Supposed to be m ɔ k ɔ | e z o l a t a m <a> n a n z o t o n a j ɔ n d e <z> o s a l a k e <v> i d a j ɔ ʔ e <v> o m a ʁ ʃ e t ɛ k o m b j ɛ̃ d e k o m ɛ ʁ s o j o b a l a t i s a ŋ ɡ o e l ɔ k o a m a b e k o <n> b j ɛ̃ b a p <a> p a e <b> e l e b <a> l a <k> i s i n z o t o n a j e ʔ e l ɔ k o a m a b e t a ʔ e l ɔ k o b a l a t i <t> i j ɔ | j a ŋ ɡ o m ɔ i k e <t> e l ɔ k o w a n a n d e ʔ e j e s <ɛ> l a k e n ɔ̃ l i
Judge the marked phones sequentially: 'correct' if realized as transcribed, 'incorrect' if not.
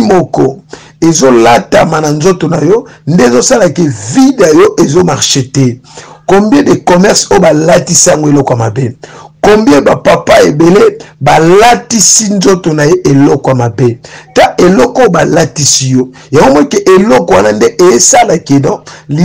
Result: correct, correct, correct, incorrect, incorrect, correct, correct, correct, incorrect, incorrect, incorrect, incorrect

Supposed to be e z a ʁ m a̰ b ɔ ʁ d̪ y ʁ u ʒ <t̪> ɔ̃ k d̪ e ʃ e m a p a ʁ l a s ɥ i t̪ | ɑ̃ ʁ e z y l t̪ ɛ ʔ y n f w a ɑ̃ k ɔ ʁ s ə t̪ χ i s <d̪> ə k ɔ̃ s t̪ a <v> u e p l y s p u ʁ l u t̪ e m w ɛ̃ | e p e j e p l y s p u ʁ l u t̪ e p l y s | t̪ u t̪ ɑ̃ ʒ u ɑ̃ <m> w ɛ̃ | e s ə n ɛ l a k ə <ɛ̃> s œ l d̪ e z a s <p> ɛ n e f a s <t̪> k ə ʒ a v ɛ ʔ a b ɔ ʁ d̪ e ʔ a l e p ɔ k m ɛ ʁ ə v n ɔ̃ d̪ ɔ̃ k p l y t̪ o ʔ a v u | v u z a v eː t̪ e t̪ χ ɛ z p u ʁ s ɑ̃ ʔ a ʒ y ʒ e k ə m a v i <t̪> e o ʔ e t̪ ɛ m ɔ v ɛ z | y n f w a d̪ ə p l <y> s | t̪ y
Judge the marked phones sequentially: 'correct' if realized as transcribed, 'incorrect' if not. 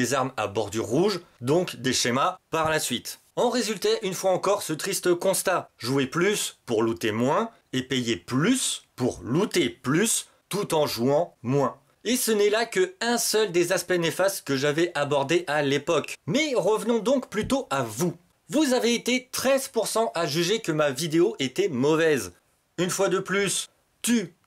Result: incorrect, incorrect, incorrect, correct, correct, correct, correct, incorrect, correct

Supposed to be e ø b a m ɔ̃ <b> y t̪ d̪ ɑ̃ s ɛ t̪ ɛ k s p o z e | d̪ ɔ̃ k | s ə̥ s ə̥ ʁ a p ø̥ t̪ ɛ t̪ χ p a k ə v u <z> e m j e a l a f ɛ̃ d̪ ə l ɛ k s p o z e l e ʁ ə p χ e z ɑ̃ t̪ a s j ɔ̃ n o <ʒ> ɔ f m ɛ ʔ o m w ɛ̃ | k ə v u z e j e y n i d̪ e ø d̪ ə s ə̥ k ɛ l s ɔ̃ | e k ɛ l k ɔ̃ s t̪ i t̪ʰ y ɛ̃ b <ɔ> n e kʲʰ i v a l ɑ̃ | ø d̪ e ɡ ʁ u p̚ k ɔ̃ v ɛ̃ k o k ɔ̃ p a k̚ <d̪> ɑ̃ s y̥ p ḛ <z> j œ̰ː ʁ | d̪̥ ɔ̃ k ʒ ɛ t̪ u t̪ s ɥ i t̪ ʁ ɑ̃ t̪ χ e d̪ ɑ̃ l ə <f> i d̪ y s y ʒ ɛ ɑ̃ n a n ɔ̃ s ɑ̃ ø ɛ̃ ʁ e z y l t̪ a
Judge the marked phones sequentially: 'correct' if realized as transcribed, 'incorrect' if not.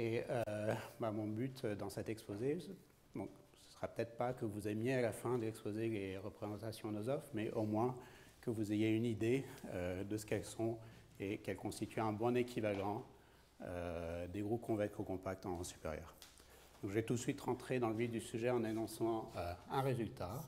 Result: correct, correct, incorrect, incorrect, incorrect, incorrect, incorrect

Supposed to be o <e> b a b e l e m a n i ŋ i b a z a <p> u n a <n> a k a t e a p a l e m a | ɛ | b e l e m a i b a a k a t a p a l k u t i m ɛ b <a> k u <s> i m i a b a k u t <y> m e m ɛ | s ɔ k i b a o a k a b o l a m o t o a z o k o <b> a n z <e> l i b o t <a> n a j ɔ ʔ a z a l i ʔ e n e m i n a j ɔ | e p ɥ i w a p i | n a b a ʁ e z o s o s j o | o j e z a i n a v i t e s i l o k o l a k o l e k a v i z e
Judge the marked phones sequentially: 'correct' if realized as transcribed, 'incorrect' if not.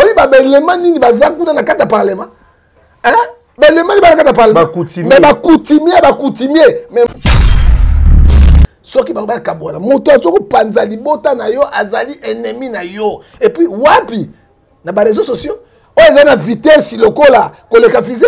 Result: incorrect, incorrect, correct, correct, incorrect, incorrect, incorrect, incorrect, correct

